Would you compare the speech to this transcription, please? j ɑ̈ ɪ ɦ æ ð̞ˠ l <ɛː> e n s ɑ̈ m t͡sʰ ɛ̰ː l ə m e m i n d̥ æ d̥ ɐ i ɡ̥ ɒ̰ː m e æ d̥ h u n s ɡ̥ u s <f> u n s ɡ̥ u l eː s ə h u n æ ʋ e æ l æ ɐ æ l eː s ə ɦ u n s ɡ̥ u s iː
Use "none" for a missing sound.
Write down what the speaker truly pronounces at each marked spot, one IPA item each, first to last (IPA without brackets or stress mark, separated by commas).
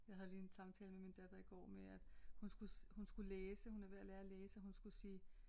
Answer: iː, h